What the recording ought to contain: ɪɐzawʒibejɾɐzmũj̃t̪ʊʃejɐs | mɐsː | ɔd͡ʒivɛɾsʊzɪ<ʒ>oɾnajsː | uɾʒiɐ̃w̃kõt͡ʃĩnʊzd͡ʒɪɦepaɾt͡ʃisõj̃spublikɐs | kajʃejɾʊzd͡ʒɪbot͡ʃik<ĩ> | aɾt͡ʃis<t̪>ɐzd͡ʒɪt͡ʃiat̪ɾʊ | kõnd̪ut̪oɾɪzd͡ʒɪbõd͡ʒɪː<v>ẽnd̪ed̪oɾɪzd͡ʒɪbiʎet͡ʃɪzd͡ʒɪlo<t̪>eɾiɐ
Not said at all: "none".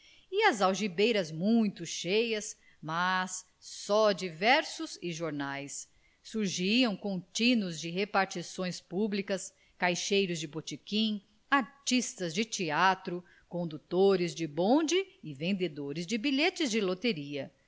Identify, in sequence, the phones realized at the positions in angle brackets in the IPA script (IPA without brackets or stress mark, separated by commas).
ʒ, ĩ, t̪, v, t̪